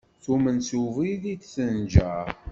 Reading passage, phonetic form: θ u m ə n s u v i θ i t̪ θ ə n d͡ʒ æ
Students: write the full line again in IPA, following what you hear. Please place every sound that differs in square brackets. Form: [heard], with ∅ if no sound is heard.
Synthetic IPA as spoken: θ u m ə n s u v i [ð] i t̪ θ ə n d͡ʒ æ